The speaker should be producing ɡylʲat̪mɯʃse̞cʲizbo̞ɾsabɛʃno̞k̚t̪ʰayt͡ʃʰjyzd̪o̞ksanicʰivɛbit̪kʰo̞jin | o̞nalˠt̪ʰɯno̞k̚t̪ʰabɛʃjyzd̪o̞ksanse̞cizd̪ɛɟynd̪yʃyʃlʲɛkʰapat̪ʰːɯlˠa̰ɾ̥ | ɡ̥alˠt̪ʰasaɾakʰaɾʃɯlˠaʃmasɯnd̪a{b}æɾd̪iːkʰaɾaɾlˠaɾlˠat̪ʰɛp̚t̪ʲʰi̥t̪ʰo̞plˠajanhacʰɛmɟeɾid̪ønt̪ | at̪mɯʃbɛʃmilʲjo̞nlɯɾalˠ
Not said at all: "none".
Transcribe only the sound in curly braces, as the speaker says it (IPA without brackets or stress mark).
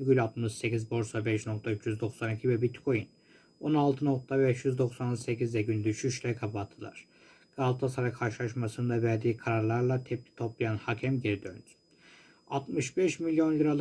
v